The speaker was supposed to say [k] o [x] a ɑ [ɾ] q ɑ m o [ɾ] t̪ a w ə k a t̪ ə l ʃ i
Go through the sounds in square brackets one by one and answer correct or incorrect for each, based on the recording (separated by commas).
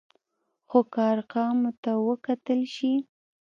incorrect, incorrect, correct, incorrect